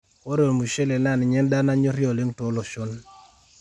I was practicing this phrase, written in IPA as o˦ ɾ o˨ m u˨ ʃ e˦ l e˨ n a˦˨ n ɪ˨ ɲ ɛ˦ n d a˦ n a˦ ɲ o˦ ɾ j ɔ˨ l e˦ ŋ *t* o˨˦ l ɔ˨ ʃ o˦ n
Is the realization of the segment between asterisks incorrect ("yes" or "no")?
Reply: no